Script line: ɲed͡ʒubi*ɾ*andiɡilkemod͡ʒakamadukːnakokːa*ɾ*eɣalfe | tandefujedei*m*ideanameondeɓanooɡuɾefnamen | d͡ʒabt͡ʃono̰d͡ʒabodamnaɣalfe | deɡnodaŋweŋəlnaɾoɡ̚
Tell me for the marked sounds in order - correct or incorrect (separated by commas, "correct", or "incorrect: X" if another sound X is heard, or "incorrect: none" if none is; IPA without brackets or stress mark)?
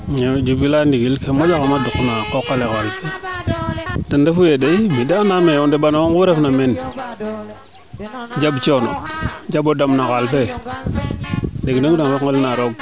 incorrect: l, incorrect: l, correct